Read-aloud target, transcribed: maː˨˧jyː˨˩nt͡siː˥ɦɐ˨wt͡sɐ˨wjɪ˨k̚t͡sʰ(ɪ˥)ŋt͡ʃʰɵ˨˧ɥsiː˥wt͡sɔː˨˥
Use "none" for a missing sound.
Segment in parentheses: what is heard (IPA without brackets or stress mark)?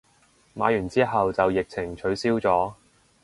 ɪ˨˩